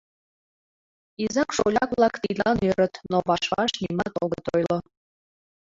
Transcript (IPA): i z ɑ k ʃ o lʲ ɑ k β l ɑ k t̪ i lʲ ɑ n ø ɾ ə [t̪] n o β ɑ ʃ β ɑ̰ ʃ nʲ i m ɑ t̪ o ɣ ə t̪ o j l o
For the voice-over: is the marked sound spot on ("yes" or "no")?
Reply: yes